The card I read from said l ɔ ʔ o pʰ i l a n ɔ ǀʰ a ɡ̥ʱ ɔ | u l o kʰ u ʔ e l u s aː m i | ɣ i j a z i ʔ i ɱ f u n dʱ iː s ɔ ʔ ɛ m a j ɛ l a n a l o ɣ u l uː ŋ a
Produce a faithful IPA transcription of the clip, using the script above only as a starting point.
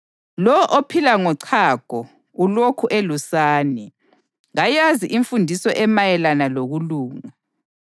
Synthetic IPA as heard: l ɔ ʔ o pʰ i l a ŋ ɔ ǀʰ a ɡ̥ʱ ɔ | u l o kʰ u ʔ e l u s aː n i | ɣ a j a z i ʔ i ɱ f u n dʱ i s ɔ ʔ ɛ m a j ɛ l a n a l o ɣ u l uː ŋ a